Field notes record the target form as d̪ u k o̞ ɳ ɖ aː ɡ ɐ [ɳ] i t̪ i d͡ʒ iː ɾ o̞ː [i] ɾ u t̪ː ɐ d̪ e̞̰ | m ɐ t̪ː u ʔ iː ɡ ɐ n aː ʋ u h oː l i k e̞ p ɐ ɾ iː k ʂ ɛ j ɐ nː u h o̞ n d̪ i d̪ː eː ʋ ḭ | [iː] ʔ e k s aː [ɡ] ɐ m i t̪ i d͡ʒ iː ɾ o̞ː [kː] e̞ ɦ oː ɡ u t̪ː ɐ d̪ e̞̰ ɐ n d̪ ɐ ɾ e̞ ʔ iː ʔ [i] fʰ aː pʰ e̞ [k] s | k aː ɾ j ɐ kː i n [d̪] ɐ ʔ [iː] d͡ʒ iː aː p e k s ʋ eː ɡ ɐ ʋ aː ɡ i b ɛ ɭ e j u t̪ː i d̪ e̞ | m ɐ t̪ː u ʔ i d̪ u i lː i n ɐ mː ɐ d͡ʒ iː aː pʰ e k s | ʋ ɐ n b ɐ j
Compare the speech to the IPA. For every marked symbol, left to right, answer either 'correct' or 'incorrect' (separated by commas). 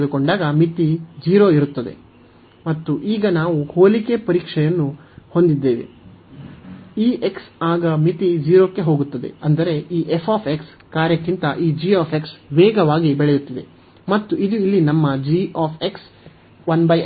incorrect, correct, correct, correct, correct, incorrect, correct, incorrect, correct